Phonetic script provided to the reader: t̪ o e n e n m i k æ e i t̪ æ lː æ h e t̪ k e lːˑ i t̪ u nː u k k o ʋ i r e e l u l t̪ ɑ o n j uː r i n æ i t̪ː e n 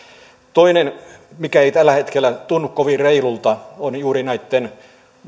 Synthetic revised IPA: t̪ o i n e n m i k æ e i t̪ æ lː æ h e t̪ k e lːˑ æ t̪ u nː u k k o ʋ i r e i l u l t̪ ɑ o n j uː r i n æ i t̪ː e n